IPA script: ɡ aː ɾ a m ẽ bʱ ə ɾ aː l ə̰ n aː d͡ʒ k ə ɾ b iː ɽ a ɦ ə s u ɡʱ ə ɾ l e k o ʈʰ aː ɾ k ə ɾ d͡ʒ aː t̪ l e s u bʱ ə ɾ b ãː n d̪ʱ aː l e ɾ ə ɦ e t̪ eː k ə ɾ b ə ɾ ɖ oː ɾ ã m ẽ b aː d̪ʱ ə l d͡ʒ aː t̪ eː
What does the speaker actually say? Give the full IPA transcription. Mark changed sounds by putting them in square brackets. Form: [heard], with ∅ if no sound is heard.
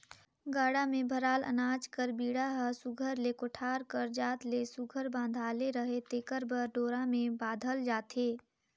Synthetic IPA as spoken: ɡ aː [ɽ] a m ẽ bʱ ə ɾ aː l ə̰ n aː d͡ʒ k ə ɾ b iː ɽ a ɦ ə s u ɡʱ ə ɾ l e k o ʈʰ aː ɾ k ə ɾ d͡ʒ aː t̪ l e s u [ɡʱ] ə ɾ b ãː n d̪ʱ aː l e ɾ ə ɦ e t̪ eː k ə ɾ b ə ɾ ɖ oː ɾ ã m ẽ b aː d̪ʱ ə l d͡ʒ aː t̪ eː